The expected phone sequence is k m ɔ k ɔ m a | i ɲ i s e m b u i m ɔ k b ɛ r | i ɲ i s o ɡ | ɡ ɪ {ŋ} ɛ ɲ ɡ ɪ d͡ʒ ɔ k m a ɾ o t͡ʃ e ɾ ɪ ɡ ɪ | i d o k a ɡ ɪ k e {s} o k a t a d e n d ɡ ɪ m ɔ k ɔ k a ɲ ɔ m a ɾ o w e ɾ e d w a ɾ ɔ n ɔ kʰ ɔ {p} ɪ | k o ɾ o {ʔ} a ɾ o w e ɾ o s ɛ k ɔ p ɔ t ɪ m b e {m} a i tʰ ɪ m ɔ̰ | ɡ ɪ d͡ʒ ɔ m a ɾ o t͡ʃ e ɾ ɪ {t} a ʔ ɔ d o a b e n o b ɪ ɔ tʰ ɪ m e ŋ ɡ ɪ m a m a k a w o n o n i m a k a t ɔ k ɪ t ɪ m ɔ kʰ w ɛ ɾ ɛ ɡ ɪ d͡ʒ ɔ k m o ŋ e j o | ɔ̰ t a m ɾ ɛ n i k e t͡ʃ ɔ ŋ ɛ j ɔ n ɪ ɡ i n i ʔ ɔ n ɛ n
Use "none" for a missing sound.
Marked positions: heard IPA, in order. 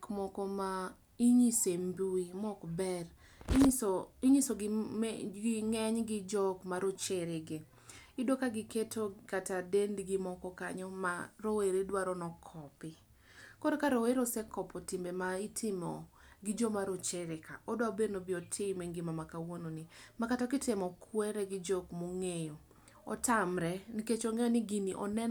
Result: ŋ, t, p, k, m, k

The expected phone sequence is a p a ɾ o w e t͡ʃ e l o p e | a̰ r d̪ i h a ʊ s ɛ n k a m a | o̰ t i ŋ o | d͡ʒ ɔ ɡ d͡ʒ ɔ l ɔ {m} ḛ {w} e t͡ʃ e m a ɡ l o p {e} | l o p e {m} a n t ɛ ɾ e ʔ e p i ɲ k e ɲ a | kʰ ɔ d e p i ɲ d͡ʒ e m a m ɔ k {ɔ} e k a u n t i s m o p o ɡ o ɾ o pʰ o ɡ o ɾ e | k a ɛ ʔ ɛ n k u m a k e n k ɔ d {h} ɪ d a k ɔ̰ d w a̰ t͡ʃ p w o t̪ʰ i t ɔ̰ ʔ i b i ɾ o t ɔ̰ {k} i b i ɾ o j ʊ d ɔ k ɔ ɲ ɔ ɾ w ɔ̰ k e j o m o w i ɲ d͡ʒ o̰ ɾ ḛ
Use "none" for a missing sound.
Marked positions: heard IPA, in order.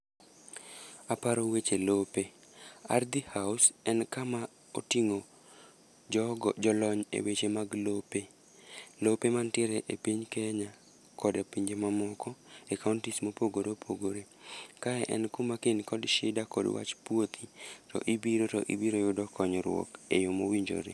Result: ɲ, w, e, m, ɔ, ʃ, ʔ

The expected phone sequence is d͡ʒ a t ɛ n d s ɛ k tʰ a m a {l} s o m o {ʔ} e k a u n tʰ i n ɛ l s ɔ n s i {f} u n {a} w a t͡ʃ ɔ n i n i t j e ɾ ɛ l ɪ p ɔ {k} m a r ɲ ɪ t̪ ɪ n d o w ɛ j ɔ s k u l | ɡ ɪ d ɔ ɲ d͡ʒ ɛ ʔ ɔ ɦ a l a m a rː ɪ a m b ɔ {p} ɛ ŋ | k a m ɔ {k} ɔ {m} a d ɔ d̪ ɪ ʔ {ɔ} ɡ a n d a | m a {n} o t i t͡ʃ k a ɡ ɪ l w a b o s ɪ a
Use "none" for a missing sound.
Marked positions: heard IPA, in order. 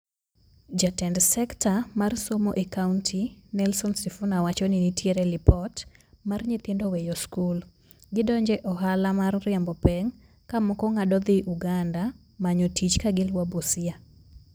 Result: r, ʔ, f, a, t, p, k, ŋ, u, ɲ

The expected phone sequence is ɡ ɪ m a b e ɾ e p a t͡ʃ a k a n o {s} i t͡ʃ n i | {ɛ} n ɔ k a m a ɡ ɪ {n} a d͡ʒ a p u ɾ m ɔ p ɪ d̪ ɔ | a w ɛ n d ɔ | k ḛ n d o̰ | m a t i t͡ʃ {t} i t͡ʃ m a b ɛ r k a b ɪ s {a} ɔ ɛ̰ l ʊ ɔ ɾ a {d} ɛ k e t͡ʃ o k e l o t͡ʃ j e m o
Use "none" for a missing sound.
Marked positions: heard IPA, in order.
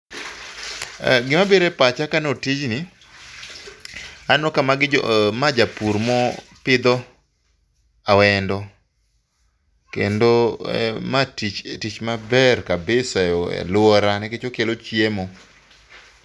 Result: t, a, m, t, a, n

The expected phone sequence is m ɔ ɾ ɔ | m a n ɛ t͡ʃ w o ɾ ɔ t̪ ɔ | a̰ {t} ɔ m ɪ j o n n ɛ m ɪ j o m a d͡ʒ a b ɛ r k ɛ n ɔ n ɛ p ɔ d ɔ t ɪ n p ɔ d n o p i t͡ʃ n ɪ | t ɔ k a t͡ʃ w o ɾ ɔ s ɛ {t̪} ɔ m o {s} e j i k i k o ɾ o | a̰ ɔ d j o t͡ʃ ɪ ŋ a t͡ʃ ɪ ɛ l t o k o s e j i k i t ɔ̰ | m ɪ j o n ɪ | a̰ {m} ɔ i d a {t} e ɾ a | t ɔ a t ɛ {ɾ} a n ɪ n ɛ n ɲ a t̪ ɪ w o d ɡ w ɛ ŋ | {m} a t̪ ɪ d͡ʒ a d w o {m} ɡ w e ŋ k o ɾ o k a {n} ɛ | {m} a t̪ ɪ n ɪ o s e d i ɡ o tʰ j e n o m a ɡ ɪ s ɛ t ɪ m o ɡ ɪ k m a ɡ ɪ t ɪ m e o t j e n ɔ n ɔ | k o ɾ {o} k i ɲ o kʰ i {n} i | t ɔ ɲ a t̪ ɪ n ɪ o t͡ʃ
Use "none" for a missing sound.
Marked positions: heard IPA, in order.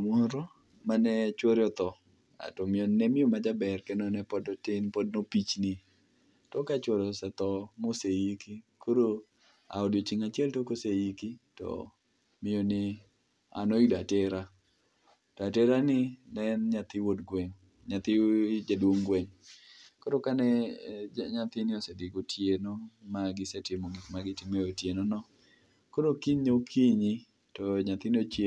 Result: t, t̪, s, n, t, ɾ, ɲ, ŋ, n, ɲ, o, ɲ

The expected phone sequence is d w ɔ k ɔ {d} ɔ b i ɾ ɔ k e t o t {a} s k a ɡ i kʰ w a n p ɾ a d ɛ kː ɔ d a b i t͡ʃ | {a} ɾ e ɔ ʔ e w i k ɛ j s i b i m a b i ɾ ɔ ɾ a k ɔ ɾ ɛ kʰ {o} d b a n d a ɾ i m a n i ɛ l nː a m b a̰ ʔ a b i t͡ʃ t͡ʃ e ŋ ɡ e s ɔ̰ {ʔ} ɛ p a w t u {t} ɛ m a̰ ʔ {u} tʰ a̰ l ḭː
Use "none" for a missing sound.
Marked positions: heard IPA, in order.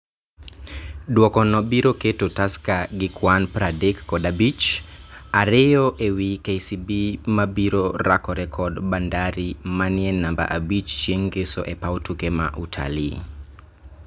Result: n, a, a, ɔ, ʔ, k, u

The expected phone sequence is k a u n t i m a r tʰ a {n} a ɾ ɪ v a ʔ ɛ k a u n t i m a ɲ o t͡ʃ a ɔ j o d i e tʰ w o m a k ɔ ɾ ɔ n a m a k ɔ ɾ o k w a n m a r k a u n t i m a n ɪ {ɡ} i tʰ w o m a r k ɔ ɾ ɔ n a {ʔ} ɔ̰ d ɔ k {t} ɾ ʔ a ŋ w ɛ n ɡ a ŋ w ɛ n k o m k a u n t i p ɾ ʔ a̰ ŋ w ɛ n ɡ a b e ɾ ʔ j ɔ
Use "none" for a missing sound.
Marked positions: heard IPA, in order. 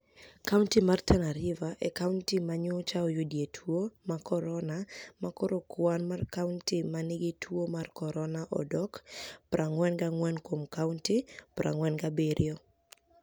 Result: n, ɡ, ʔ, p

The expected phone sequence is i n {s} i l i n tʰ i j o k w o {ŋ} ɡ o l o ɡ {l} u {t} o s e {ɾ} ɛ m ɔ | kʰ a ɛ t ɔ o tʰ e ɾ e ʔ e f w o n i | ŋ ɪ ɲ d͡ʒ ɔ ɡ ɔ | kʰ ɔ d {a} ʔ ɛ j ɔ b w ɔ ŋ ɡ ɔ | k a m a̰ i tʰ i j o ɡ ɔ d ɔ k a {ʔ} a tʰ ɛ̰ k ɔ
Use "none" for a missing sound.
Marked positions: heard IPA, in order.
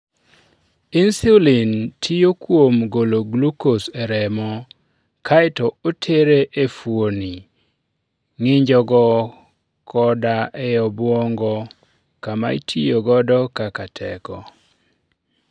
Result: s, m, l, k, ɾ, a, k

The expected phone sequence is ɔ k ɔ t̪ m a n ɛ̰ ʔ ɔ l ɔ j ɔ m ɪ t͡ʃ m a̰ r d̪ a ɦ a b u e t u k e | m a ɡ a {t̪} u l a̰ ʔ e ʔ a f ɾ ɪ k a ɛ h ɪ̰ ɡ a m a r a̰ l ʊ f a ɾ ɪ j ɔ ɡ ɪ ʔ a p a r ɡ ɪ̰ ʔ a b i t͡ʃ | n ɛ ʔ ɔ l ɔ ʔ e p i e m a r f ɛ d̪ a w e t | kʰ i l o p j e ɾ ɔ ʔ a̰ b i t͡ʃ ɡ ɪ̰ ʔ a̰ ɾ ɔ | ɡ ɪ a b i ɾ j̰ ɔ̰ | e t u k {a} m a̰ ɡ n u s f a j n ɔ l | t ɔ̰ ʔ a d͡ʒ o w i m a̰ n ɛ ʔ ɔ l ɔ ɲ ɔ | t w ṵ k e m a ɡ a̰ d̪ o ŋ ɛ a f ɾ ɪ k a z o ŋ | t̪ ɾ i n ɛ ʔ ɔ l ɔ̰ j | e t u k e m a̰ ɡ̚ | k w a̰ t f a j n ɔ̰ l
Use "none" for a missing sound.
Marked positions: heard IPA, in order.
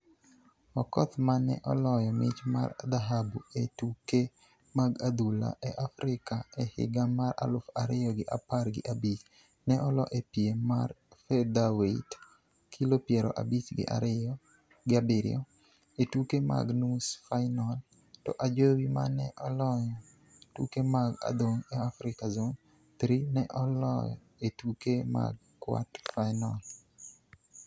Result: d̪, e

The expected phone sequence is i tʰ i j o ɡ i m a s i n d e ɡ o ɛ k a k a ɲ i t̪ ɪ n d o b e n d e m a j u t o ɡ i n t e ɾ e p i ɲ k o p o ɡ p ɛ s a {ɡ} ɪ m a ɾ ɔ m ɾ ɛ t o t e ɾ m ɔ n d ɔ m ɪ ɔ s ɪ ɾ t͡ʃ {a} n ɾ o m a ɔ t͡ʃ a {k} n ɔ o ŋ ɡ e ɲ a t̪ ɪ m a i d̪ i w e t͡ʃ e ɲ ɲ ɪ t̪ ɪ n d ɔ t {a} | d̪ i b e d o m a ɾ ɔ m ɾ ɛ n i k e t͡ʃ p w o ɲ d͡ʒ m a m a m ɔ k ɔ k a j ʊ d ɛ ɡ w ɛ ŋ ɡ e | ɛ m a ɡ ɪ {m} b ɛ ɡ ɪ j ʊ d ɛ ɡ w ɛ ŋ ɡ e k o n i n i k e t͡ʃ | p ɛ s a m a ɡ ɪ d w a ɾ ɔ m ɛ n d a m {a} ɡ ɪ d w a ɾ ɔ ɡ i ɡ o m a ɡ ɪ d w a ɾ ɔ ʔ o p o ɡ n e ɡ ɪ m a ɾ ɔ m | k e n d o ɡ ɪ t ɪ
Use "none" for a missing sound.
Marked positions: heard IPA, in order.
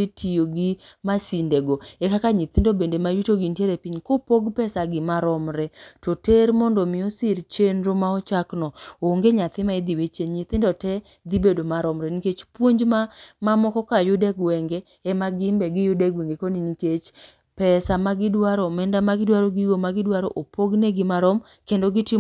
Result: ɡ, e, k, ɛ, m, a

